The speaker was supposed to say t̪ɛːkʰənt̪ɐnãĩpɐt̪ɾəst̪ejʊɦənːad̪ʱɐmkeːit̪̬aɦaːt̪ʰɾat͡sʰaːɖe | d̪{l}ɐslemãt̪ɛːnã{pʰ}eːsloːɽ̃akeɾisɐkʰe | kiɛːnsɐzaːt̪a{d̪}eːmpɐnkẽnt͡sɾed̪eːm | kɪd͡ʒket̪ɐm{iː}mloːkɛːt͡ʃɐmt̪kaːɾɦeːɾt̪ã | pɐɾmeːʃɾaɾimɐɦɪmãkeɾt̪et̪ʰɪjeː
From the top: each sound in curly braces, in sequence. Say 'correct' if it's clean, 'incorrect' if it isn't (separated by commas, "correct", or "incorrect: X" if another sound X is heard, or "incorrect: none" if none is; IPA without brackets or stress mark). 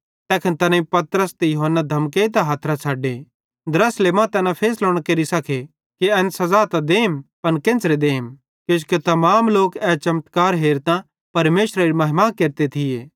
incorrect: ɾ, correct, correct, incorrect: aː